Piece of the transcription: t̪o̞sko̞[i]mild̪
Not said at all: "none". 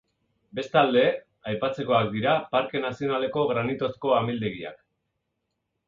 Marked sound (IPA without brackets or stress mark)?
a